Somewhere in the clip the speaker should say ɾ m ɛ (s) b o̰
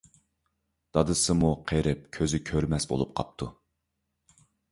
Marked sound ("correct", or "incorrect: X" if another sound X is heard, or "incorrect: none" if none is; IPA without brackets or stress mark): correct